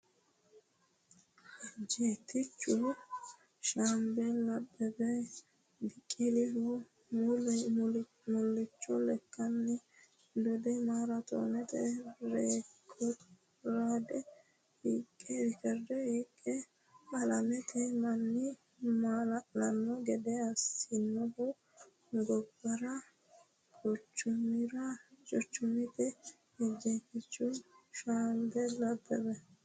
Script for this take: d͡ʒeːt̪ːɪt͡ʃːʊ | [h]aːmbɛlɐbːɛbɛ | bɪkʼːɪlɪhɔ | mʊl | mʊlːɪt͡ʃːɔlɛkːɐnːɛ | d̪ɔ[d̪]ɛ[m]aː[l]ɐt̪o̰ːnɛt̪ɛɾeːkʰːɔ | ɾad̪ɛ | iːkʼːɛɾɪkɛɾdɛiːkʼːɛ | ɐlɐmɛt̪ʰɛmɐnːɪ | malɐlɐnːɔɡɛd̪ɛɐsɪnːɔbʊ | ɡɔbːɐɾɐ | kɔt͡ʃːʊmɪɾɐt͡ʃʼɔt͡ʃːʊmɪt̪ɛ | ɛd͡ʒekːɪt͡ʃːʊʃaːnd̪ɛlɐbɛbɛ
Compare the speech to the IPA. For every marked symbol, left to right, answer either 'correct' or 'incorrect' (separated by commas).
incorrect, correct, correct, incorrect